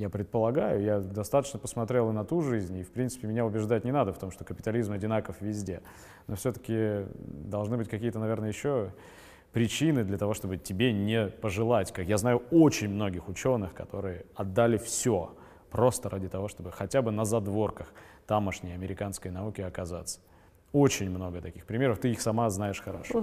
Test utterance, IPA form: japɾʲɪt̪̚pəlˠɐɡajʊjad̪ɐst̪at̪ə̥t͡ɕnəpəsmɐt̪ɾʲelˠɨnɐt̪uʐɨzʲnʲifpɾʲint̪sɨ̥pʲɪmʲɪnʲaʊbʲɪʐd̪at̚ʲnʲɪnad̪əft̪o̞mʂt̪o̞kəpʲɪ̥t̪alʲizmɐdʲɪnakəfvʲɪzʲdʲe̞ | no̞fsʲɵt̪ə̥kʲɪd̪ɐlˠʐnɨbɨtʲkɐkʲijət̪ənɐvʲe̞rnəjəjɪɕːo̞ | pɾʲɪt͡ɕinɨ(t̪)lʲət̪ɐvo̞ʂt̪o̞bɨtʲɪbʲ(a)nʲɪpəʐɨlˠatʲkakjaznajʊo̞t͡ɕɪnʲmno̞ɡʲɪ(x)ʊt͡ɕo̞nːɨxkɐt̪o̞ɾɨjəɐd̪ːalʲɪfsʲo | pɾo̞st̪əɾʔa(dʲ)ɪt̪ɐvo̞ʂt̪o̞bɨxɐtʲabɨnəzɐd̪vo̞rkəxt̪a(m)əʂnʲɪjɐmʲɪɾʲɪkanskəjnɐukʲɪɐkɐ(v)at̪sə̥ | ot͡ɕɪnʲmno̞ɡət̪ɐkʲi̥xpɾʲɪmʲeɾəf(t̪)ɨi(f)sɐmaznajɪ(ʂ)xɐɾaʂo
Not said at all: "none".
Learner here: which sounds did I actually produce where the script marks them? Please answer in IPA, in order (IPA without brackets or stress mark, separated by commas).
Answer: d̪, e, x, dʲ, m, z, t̪, x, ʂ